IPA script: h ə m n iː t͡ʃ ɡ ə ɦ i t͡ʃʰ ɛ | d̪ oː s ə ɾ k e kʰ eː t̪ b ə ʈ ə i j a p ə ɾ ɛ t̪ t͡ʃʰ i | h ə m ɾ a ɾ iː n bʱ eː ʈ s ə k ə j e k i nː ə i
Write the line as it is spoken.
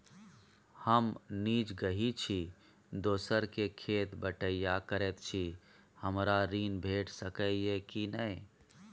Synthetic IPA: h ə m n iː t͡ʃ ɡ ə ɦ i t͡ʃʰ i | d̪ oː s ə ɾ k e kʰ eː t̪ b ə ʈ ə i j a k ə ɾ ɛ t̪ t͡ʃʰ i | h ə m ɾ a ɾ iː n bʱ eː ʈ s ə k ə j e k i n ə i

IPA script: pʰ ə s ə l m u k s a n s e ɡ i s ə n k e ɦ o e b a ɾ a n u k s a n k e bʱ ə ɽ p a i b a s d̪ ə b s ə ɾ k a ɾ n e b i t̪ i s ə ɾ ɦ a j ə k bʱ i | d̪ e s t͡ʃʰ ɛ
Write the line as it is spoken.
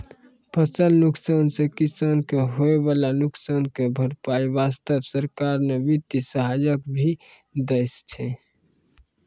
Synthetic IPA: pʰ ə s ə l n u k s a n s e k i s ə n k e ɦ o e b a l a n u k s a n k e bʱ ə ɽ p a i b a s t̪ ə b s ə ɾ k a ɾ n e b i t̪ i s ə ɦ a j ə k bʱ i | d̪ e s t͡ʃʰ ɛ

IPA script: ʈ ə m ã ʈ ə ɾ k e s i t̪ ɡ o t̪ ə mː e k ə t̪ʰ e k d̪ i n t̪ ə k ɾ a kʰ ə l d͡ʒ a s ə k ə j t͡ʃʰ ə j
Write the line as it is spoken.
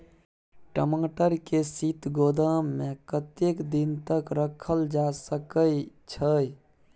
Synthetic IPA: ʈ ə m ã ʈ ə ɾ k e s i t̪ ɡ o d̪ ə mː e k ə t̪ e k d̪ i n t̪ ə k ɾ ə kʰ ə l d͡ʒ a s ə k ə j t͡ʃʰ ə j

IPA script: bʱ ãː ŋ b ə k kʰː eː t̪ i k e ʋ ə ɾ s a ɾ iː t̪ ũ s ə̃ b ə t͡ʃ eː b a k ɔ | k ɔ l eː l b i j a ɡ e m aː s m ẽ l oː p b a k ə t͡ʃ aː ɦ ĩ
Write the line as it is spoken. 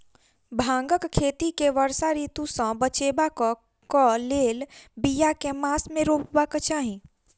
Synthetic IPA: bʱ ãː ŋ ɡ ə k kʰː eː t̪ i k e ʋ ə ɾ s a ɾ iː t̪ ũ s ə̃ b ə t͡ʃ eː b a k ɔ | k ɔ l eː l b i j a k e m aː s m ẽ ɾ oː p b a k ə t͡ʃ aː ɦ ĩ

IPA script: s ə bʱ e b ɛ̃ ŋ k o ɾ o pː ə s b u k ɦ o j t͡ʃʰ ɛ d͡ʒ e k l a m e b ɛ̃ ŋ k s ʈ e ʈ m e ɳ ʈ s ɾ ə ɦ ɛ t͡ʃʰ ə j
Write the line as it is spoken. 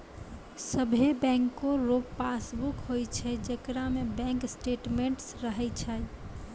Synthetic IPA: s ə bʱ e b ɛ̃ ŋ k o ɾ o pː a s b u k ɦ o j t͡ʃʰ ɛ d͡ʒ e k ɾ a m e b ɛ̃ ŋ k s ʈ e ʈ m e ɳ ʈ s ɾ ə ɦ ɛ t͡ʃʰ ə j

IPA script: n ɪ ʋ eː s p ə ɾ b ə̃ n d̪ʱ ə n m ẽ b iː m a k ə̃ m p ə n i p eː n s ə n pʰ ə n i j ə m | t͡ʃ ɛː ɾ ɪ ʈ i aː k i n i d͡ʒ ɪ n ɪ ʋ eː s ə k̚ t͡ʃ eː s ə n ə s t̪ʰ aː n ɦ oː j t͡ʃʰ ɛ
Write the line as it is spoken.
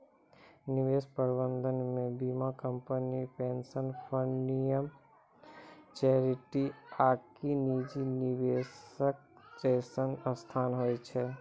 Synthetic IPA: n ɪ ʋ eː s p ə ɾ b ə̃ n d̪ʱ ə n m ẽ b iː m a k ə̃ m p ə n i p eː n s ə n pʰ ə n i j ə m | t͡ʃ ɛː ɾ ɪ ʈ i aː k i n i d͡ʒ i n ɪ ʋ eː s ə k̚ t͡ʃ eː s ə n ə s t̪ʰ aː n ɦ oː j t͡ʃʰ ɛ

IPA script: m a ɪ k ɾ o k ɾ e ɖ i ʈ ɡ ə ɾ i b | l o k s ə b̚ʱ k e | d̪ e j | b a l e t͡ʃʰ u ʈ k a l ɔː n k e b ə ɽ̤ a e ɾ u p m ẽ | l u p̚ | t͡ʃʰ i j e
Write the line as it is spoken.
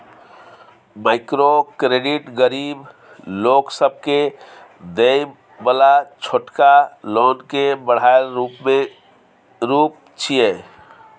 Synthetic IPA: m a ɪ k ɾ o k ɾ e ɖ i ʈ ɡ ə ɾ i b | l o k s ə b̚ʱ k e | d̪ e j | b ə l a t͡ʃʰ o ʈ k a l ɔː n k e b ə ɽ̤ a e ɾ u p m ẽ | ɾ u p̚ | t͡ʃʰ i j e

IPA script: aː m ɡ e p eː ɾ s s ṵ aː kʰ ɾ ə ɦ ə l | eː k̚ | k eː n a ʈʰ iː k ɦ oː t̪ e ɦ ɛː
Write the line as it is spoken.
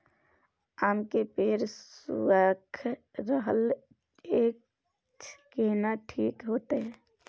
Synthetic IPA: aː m k e p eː ɾ s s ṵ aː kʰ ɾ ə ɦ ə l | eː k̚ | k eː n a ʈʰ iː k ɦ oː t̪ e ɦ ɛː

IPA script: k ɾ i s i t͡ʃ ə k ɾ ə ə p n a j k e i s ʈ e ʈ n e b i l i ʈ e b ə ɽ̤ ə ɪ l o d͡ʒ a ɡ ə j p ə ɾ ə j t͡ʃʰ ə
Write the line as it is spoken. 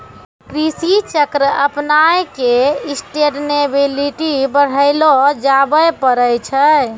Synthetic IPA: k ɾ i s i t͡ʃ ə k ɾ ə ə p n a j k e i s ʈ e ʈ n e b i l i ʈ i b ə ɽ̤ ə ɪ l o d͡ʒ a b ə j p ə ɾ ə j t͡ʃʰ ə

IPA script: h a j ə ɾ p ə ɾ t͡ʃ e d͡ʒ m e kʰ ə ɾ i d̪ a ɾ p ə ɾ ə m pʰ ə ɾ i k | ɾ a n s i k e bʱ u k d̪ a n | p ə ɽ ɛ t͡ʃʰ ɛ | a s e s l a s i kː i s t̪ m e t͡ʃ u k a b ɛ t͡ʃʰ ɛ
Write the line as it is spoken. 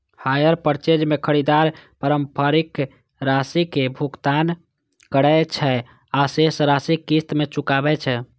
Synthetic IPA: h a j ə ɾ p ə ɾ t͡ʃ e d͡ʒ m e kʰ ə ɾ i d̪ a ɾ p ə ɾ ə m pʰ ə ɾ i k | ɾ a s i k e bʱ u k t̪ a n | k ə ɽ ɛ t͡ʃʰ ɛ | a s e s ɾ a s i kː i s t̪ m e t͡ʃ u k a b ɛ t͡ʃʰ ɛ

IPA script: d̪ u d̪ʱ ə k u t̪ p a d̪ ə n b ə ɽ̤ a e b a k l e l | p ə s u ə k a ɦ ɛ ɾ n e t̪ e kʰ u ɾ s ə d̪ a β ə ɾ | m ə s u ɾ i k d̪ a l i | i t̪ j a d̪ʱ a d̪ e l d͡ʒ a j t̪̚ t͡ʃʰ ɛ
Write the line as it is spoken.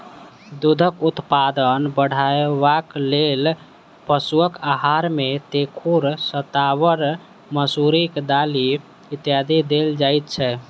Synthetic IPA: d̪ u d̪ʱ ə k u t̪ p a d̪ ə n b ə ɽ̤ a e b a k l e l | p ə s u ə k a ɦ a ɾ m e t̪ e kʰ u ɾ s ə t̪ a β ə ɾ | m ə s u ɾ i k d̪ a l i | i t̪ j a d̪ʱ i d̪ e l d͡ʒ a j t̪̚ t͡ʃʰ ɛ

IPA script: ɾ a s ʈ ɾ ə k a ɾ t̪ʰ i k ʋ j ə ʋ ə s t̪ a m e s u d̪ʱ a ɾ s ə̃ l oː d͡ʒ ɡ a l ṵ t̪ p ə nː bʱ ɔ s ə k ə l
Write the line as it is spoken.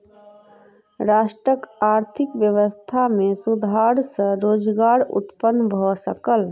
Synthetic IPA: ɾ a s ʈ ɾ ə k a ɾ t̪ʰ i k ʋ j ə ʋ ə s t̪ʰ a m e s u d̪ʱ a ɾ s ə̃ ɾ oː d͡ʒ ɡ a ɾ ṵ t̪ p ə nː bʱ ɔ s ə k ə l

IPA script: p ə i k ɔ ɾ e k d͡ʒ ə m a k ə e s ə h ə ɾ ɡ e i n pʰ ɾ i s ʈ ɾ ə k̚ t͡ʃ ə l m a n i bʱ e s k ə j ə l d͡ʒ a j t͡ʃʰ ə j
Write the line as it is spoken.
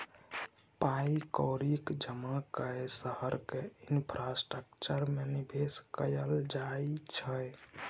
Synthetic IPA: p a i k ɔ ɾ i k d͡ʒ ə m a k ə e s ə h ə ɾ k e i n pʰ ɾ a s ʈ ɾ ə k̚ t͡ʃ ə ɾ m e n i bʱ e s k ə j ə l d͡ʒ a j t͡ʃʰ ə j

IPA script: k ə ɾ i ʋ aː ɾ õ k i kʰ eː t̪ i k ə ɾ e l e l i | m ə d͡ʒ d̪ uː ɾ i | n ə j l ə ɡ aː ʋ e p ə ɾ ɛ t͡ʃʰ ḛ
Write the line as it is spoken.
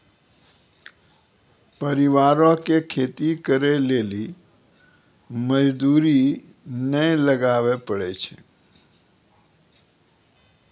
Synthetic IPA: p ə ɾ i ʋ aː ɾ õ k e kʰ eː t̪ i k ə ɾ e l e l i | m ə d͡ʒ d̪ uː ɾ i | n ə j l ə ɡ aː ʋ e p ə ɽ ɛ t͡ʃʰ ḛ

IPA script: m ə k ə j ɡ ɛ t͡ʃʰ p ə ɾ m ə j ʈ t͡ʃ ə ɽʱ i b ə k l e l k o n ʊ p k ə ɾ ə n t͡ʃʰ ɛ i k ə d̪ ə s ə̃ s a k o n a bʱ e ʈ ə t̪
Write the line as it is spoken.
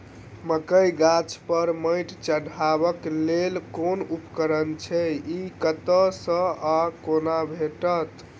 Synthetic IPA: m ə k ə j ɡ a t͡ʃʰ p ə ɾ m ə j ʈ t͡ʃ ə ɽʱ a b ə k l e l k o n u p k ə ɾ ə n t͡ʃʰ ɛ i k ə t̪ ə s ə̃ a k o n a bʱ e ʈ ə t̪

